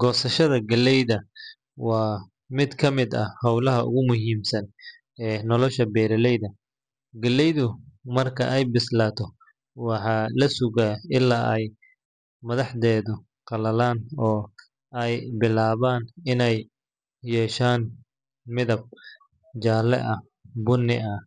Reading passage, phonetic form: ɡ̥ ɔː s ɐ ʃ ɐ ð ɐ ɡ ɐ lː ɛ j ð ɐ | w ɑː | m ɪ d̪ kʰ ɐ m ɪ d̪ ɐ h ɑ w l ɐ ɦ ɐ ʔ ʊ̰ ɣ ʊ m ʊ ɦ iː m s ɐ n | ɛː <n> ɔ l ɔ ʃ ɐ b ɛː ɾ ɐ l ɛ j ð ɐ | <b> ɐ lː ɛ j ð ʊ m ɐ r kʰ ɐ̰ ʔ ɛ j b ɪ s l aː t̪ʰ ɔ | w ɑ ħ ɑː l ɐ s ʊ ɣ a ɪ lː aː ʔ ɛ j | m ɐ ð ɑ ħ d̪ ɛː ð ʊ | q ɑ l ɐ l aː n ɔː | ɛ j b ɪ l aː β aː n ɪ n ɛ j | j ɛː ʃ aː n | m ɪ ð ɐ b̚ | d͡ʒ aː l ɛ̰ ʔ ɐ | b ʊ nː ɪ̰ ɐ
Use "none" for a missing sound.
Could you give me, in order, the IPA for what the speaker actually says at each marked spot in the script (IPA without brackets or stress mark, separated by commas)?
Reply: n, ɡ